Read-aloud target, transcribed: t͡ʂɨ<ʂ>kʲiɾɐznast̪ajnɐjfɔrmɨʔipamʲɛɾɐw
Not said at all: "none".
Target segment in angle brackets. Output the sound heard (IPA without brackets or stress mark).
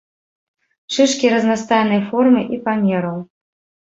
ʂ